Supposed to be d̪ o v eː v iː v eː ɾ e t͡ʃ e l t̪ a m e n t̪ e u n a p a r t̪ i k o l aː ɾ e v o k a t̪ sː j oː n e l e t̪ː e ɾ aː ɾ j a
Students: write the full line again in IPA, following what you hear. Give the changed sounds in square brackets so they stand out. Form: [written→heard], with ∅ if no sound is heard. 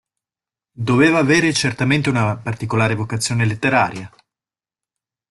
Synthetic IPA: d̪ o v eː v [iː→aː] v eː ɾ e t͡ʃ e [l→r] t̪ a m e n t̪ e u n a p a r t̪ i k o l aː ɾ e v o k a t̪ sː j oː n e l e t̪ː e ɾ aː ɾ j a